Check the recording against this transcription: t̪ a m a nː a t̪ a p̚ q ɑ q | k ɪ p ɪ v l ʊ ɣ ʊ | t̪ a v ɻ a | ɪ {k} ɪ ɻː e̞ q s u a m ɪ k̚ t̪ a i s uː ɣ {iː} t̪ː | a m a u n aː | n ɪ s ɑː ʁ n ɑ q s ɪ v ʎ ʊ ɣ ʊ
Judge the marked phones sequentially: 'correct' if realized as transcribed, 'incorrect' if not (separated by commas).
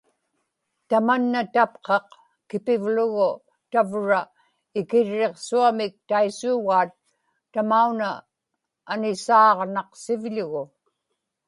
correct, incorrect